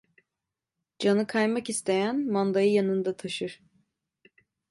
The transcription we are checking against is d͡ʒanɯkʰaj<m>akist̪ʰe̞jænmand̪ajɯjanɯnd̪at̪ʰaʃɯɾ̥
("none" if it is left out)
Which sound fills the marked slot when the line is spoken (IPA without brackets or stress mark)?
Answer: m